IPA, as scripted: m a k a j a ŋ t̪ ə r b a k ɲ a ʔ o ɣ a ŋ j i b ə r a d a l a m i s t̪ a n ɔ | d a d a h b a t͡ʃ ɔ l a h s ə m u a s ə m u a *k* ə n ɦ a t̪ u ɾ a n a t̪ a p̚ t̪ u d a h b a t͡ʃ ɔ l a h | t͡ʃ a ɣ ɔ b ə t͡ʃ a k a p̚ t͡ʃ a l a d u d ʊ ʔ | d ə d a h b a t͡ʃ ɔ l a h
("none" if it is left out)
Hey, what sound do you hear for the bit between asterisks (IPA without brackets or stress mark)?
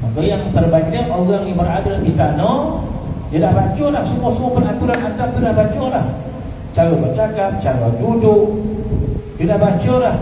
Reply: p